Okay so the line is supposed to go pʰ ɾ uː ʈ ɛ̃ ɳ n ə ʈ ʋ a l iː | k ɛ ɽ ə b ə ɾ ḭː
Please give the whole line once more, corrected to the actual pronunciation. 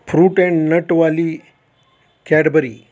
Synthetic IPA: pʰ ɾ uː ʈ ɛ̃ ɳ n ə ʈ ʋ a l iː | k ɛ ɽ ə b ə ɾ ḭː